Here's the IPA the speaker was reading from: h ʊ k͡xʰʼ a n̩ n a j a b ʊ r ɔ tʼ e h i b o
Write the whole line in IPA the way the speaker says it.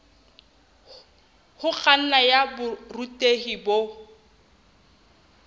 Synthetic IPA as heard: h ʊ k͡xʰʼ a n̩ n a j a b ʊ r u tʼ e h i b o